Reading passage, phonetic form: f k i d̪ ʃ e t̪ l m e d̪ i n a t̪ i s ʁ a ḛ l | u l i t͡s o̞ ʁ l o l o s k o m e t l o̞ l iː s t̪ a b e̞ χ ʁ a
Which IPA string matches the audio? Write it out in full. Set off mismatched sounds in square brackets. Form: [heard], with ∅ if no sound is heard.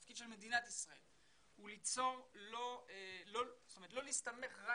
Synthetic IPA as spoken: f k i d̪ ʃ e [∅] l m e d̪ i n a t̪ i s ʁ a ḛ l | u l i t͡s o̞ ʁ l o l o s [t] o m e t l o̞ l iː s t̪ a [m] e̞ χ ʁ a